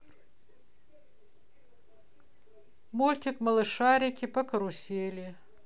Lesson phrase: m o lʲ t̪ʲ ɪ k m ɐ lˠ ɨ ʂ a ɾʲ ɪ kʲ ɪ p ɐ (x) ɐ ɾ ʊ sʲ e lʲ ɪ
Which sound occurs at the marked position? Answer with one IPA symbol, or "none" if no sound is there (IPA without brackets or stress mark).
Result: k